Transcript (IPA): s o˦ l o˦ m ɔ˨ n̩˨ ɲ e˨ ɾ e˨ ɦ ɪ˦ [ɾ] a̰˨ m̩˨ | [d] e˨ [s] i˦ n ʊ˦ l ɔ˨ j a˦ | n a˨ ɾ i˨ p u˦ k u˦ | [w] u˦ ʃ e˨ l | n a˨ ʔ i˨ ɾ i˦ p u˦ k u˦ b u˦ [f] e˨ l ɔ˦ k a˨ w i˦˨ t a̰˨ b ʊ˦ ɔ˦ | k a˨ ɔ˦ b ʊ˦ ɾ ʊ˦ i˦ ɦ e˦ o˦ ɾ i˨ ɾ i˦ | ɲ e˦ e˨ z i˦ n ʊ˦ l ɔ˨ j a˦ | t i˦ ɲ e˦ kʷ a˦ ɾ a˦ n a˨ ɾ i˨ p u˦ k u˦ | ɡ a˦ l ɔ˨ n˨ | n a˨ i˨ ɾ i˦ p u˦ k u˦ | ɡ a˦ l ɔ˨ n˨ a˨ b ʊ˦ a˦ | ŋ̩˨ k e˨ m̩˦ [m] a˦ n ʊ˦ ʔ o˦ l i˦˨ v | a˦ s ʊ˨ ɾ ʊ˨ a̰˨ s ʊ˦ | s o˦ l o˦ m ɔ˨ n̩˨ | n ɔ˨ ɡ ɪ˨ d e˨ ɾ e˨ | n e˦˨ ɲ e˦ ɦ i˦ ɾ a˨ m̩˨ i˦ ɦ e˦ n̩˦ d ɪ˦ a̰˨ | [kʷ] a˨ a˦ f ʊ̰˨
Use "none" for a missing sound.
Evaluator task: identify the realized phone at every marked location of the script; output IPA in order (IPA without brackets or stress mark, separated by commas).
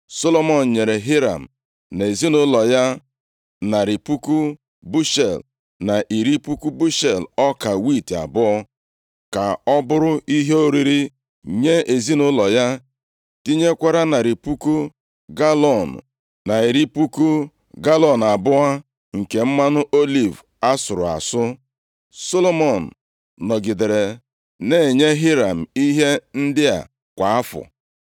ɾ, n, z, b, ʃ, m, kʷ